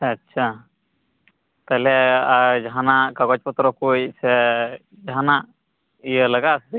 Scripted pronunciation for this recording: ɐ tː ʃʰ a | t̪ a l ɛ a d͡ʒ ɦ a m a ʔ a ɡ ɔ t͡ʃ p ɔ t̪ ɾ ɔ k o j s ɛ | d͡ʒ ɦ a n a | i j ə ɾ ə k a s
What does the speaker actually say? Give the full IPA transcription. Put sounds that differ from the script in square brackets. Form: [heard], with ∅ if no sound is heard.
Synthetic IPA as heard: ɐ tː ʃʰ a | t̪ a l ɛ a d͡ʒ ɦ a [n] a [k] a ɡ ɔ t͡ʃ p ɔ t̪ ɾ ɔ k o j s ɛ | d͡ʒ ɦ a n a | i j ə [l] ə [ɡ] a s